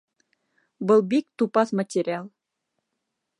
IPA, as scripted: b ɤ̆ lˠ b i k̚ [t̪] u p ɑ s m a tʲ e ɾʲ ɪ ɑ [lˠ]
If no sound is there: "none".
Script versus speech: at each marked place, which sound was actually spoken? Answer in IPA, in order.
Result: t̪, lˠ

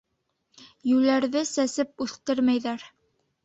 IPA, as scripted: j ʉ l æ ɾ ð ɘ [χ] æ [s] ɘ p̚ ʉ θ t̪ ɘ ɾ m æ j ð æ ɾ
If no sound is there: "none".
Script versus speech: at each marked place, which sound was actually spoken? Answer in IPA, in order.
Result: s, s

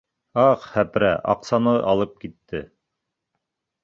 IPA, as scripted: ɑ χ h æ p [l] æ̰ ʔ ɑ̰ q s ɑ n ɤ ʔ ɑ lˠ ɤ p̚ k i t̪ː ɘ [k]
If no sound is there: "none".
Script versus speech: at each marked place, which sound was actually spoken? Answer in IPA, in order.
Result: ɾ, none

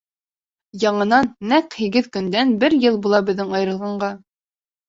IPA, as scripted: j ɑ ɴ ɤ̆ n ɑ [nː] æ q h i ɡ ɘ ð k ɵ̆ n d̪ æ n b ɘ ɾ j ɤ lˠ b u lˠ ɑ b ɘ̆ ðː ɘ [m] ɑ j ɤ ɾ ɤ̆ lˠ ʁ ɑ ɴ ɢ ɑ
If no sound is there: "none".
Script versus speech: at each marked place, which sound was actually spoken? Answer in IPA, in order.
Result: nː, ŋ

